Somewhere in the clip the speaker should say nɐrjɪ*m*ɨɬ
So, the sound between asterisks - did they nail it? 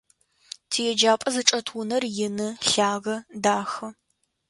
no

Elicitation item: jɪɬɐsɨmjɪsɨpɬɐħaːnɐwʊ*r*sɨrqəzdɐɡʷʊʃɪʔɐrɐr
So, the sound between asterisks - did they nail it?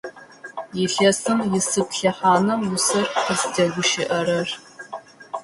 no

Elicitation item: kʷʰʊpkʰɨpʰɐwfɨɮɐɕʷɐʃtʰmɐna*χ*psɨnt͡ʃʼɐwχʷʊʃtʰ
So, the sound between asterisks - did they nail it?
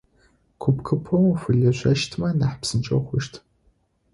no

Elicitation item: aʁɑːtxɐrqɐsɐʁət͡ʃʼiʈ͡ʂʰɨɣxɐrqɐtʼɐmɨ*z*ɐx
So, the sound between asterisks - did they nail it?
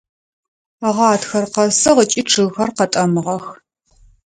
no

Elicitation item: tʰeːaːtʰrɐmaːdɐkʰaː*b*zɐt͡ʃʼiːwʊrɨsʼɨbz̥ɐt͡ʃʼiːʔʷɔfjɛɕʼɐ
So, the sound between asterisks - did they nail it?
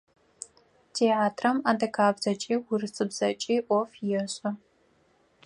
yes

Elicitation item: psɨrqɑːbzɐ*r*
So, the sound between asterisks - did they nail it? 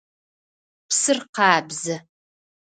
no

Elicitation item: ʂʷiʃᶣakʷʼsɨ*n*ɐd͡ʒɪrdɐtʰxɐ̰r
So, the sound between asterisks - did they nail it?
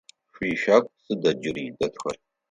no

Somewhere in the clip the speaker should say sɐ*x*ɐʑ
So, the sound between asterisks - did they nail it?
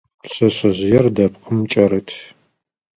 no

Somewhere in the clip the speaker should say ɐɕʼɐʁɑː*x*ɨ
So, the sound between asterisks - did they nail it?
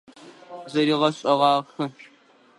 yes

